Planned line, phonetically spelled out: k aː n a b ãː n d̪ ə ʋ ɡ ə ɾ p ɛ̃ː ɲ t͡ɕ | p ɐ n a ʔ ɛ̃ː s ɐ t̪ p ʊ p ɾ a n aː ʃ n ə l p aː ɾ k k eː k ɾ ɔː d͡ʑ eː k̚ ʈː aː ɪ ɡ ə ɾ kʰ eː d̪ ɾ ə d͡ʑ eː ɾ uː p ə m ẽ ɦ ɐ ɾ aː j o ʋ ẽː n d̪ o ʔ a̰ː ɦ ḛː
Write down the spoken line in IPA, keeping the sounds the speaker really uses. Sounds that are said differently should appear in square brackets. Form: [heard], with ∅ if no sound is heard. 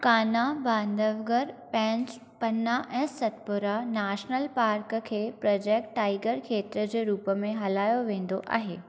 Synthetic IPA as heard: k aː n a b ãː n d̪ ə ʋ ɡ ə ɾ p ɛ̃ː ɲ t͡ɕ | p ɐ n a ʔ ɛ̃ː s ɐ t̪ p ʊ [∅] ɾ a n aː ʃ n ə l p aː ɾ k [kʰ] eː [p] ɾ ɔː d͡ʑ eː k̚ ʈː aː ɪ ɡ ə ɾ kʰ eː [t̪] ɾ ə d͡ʑ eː ɾ uː p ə m ẽ ɦ ɐ [l] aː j o ʋ ẽː n d̪ o ʔ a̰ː ɦ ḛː